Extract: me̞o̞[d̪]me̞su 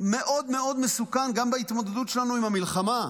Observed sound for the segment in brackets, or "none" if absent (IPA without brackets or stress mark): d̪